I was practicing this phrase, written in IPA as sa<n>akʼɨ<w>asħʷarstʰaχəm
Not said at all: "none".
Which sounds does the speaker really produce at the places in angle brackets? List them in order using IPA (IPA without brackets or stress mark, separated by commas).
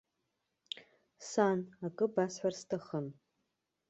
n, b